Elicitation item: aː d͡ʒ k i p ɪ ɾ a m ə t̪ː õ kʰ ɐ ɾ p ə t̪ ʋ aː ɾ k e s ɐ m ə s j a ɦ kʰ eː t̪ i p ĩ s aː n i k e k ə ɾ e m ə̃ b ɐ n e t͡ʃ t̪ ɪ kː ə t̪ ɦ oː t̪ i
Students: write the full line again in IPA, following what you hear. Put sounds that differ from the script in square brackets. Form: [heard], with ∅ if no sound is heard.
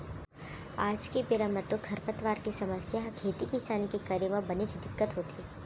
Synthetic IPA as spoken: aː d͡ʒ k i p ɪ ɾ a m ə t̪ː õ kʰ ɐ ɾ p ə t̪ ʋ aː ɾ k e s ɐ m ə s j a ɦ kʰ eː t̪ i [k] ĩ s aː n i k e k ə ɾ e m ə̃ b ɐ n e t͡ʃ [d̪] ɪ kː ə t̪ ɦ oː t̪ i